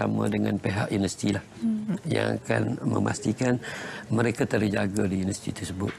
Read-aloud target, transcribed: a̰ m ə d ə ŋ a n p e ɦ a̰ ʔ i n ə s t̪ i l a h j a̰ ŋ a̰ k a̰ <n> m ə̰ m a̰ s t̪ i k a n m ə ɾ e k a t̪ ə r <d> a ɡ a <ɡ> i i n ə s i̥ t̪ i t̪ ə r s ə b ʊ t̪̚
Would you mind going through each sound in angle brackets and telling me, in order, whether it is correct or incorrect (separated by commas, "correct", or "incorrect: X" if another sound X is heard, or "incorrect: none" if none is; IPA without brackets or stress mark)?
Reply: correct, incorrect: d͡ʒ, incorrect: d